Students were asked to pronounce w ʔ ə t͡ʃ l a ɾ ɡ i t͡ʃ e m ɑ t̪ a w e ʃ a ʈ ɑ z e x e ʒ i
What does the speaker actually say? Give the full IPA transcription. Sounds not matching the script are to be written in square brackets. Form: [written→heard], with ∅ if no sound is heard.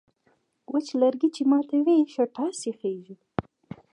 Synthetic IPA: w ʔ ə t͡ʃ l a ɾ ɡ i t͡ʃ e m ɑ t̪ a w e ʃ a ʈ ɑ [z→s] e x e ʒ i